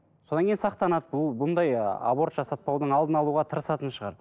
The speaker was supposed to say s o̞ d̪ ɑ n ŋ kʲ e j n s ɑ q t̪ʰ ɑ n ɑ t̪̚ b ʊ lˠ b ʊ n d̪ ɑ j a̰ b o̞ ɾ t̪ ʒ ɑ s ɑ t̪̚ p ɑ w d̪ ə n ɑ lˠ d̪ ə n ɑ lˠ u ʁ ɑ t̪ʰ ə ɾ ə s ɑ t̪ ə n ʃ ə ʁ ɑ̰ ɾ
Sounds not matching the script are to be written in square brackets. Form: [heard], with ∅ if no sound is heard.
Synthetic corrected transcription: s o̞ d̪ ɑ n ŋ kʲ e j n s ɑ q [t̪] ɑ n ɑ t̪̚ b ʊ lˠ b ʊ n d̪ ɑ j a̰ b o̞ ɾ t̪ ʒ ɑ s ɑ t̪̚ p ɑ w d̪ ə [ɴ] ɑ lˠ d̪ ə n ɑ lˠ u ʁ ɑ t̪ʰ ə ɾ ə s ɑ t̪ ə n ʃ ə ʁ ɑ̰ ɾ